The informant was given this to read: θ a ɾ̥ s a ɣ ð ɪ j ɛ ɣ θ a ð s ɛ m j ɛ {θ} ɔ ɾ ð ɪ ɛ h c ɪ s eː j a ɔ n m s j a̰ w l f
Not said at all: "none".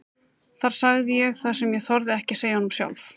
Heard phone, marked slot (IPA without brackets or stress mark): θ